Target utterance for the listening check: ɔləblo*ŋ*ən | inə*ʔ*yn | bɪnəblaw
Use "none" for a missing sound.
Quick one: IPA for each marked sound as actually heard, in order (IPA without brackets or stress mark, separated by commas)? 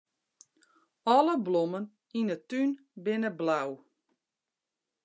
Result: m, t